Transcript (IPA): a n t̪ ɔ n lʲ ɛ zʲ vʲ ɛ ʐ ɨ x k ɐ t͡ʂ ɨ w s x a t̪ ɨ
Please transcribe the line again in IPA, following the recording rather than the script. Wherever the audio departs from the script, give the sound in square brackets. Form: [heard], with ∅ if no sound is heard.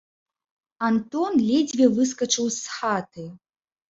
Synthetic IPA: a n t̪ ɔ n lʲ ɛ [d͡zʲ] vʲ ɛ [v] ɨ [s] k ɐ t͡ʂ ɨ w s x a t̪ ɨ